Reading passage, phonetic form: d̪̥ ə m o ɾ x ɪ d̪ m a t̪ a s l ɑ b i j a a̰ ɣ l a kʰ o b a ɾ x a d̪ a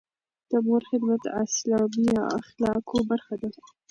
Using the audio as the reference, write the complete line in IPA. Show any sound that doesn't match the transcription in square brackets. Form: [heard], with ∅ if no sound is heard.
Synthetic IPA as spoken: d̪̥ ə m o ɾ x ɪ d̪ m a t̪ a s l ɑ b i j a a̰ [x] l [ɑ] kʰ o b a ɾ x a d̪ a